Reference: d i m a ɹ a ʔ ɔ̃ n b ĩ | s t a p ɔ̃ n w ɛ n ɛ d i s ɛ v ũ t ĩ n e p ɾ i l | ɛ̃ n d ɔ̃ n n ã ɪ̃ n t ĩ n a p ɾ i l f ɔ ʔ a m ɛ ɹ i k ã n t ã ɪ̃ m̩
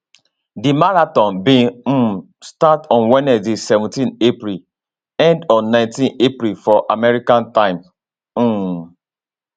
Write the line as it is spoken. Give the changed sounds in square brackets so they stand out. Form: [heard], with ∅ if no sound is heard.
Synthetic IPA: d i m a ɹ a [t] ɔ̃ n b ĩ | s t a [t] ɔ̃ n w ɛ n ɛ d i s ɛ v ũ t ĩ n e p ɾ i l | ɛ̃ n d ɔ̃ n n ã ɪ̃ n t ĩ n [e] p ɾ i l f ɔ ʔ a m ɛ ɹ i k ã n t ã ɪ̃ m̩